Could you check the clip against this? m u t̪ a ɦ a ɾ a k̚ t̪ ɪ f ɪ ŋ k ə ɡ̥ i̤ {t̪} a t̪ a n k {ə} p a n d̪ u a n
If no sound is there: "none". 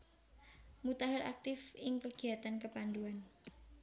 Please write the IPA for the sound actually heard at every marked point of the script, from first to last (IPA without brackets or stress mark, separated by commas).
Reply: none, ə